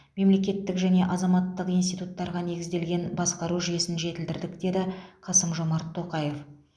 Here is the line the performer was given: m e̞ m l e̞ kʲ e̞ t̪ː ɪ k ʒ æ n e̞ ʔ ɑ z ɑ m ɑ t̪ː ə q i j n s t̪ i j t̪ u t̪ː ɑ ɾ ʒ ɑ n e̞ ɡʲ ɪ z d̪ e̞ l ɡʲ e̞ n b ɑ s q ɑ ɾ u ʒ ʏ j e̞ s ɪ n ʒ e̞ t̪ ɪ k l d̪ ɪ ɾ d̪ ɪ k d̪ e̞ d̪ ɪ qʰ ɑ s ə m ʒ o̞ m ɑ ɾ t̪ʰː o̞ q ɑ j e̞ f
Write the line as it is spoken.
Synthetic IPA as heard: m e̞ m l e̞ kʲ e̞ t̪ː ɪ k ʒ æ n e̞ ʔ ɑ z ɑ m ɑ t̪ː ə q i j n s t̪ i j t̪ u t̪ː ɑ ɾ ʁ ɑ n e̞ ɡʲ ɪ z d̪ e̞ l ɡʲ e̞ n b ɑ s q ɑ ɾ u ʒ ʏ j e̞ s ɪ n ʒ e̞ t̪ ɪ l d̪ ɪ ɾ d̪ ɪ k d̪ e̞ d̪ ɪ qʰ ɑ s ə m ʒ o̞ m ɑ ɾ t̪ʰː o̞ q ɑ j e̞ f